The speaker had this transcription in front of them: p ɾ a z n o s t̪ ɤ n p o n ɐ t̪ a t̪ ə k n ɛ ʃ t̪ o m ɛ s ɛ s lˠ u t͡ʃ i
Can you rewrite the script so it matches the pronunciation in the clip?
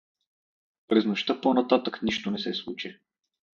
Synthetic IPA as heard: p ɾ ɛ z n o ʃ t̪ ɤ p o n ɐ t̪ a t̪ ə k n i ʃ t̪ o n ɛ s ɛ s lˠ u t͡ʃ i